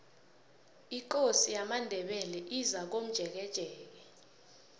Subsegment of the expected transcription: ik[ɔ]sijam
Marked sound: incorrect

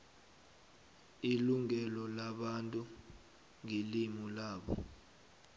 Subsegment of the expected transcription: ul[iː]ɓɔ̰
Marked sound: incorrect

